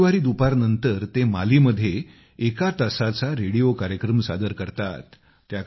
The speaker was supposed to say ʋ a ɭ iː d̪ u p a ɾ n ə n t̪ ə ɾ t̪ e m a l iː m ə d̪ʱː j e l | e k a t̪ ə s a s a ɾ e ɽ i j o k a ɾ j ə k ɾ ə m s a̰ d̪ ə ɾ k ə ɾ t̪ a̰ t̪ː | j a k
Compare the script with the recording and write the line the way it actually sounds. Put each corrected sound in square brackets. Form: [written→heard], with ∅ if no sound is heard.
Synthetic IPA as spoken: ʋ a [ɭ→ɾ] iː d̪ u p a ɾ n ə n t̪ ə ɾ t̪ e m a l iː m ə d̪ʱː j e [l→∅] | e k a t̪ ə s a [s→t͡s] a ɾ e ɽ i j o k a ɾ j ə k ɾ ə m s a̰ d̪ ə ɾ k ə ɾ t̪ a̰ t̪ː | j a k